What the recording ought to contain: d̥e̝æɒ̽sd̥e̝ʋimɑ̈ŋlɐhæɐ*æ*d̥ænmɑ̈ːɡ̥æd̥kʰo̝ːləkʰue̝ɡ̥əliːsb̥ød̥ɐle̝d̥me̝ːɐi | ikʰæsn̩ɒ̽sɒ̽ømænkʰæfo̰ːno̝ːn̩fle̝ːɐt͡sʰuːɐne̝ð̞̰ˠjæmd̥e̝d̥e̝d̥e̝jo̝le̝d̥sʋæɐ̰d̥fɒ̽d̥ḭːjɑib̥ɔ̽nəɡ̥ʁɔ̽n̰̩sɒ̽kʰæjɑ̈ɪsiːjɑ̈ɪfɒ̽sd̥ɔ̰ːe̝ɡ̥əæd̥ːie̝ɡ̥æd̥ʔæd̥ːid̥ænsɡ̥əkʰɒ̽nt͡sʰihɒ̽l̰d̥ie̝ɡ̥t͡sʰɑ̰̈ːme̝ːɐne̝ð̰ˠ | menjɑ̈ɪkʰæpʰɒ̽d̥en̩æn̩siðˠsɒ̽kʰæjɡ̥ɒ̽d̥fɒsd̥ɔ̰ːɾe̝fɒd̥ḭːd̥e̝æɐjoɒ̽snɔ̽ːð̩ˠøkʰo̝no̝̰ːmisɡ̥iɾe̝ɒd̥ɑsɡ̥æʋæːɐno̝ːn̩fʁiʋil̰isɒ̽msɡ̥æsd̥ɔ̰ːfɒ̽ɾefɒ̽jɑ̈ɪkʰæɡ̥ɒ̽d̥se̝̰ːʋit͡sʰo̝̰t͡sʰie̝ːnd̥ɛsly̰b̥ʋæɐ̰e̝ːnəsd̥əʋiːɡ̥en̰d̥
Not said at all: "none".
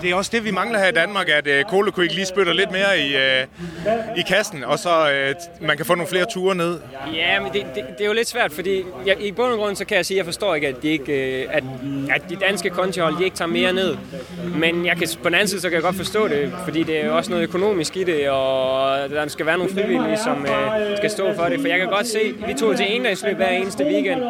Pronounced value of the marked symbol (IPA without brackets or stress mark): i